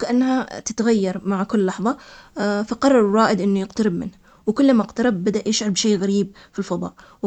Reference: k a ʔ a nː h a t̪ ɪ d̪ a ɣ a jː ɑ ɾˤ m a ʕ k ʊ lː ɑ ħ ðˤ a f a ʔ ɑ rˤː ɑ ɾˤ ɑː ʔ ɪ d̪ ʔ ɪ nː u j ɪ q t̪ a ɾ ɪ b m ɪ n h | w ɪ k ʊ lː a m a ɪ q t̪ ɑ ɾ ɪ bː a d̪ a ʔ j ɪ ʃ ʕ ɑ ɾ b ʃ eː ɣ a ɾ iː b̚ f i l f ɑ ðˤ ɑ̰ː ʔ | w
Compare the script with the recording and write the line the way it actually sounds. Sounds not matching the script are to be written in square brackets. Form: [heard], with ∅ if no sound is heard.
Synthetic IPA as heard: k a ʔ a nː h a t̪ ɪ [t̪] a ɣ a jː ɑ ɾˤ m a ʕ k ʊ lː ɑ ħ ðˤ [ɑ] f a [q] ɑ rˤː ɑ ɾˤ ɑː ʔ ɪ d̪ ʔ ɪ nː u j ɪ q t̪ a ɾ ɪ b m ɪ n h | w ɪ k ʊ lː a m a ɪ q t̪ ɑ ɾ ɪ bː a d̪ a ʔ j ɪ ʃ ʕ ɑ ɾ b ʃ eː ɣ a ɾ iː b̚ f i l f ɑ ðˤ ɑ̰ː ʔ | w